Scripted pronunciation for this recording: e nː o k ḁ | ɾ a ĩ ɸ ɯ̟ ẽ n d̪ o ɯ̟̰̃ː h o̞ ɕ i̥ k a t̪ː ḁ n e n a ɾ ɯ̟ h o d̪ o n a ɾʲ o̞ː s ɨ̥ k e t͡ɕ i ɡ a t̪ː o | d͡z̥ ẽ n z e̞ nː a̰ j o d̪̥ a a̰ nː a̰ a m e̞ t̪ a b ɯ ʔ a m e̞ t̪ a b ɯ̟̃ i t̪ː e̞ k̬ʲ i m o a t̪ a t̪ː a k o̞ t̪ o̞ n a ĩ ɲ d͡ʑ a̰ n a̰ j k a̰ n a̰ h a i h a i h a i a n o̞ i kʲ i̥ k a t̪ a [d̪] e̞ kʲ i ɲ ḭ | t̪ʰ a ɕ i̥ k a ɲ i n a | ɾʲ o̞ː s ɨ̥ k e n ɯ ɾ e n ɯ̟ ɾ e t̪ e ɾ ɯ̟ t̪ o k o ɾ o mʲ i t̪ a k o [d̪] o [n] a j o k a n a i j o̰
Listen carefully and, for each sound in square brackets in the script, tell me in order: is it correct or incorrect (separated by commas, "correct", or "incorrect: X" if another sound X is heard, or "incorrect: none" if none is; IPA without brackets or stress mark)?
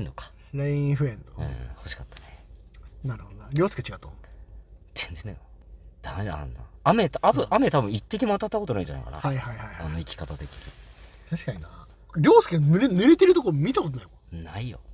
incorrect: t̪, incorrect: t̪, correct